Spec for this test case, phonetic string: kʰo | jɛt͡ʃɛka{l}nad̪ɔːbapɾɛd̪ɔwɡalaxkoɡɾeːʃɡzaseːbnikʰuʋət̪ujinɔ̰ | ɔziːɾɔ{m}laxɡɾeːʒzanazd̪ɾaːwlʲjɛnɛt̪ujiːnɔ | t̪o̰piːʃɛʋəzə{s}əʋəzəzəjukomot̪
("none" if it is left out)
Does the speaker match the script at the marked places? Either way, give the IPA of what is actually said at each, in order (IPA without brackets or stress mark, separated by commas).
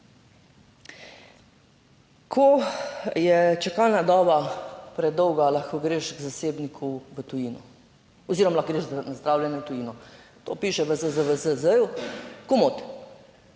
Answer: l, m, z